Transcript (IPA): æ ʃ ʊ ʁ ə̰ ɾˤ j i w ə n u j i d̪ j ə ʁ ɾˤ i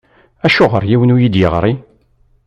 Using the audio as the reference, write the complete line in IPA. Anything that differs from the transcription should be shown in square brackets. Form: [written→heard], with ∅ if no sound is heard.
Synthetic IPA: æ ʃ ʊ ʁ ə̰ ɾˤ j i w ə n u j i d̪ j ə ʁ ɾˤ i